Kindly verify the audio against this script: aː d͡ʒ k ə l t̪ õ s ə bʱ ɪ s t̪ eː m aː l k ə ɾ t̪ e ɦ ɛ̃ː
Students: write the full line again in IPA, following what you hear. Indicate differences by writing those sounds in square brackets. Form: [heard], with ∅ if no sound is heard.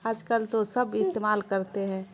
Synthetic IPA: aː d͡ʒ k ə l t̪ [o] s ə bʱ ɪ s t̪ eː m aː l k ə ɾ t̪ e ɦ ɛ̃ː